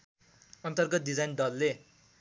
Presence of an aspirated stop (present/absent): absent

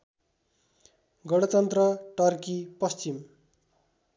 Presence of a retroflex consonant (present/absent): present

